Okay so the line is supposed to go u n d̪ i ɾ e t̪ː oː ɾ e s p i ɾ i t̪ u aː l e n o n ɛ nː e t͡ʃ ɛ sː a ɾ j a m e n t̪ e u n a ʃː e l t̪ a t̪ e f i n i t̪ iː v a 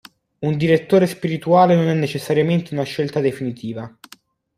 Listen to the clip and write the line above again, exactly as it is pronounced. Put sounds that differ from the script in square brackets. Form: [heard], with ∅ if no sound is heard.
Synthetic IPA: u n d̪ i ɾ e t̪ː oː ɾ e s p i ɾ i t̪ u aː l e n o n ɛ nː e t͡ʃ [e] sː a ɾ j a m e n t̪ e u n a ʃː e l t̪ a [d̪] e f i n i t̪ iː v a